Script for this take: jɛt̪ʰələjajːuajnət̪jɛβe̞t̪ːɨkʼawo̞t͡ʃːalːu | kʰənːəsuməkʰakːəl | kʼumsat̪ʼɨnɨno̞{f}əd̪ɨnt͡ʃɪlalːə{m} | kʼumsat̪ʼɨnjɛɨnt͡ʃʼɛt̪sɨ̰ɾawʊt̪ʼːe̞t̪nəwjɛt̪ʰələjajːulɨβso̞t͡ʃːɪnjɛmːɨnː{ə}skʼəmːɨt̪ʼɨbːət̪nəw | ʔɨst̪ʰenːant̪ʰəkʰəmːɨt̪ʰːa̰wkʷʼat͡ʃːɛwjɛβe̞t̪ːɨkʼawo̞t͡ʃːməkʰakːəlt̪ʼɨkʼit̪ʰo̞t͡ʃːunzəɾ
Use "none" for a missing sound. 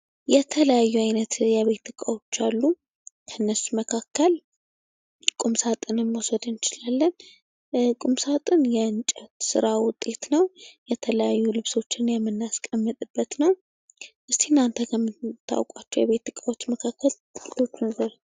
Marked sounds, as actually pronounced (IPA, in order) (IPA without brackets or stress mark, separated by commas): s, n, a